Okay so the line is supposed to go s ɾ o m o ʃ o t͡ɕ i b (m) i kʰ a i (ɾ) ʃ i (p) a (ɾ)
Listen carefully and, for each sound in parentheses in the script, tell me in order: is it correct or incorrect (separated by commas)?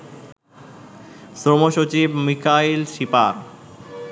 correct, incorrect, correct, correct